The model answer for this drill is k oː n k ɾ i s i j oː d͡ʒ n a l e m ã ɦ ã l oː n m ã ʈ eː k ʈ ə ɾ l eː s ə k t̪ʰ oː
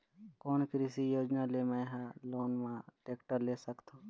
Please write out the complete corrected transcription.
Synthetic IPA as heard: k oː n k ɾ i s i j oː d͡ʒ n a l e m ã ɦ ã l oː n m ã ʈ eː k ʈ ə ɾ l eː s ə k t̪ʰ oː